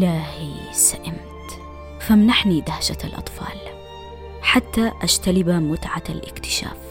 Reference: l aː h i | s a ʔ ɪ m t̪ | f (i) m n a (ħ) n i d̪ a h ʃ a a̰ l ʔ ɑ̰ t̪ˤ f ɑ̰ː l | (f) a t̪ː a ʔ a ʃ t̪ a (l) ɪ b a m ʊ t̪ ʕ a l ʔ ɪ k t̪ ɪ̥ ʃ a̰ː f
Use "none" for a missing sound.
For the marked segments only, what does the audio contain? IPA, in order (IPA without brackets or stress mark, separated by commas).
a, ħ, ħ, l